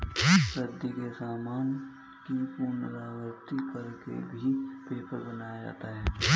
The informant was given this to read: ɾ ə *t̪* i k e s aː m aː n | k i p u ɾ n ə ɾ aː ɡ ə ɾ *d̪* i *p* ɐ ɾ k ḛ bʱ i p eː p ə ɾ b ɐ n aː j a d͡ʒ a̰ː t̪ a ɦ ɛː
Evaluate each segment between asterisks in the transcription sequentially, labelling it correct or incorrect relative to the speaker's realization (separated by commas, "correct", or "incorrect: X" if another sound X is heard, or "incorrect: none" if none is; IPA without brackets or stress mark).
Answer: incorrect: d̪, incorrect: t̪, incorrect: k